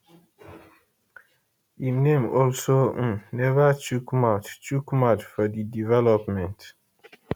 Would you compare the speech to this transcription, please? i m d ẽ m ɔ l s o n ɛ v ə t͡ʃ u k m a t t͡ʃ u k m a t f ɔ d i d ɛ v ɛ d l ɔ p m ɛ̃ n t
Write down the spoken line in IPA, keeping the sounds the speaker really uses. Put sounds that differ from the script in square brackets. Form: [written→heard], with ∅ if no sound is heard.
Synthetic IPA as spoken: i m [d→n] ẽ m ɔ l s o n ɛ v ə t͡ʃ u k m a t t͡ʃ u k m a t f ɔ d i d [ɛ→i] v ɛ [d→∅] l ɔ p m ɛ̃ n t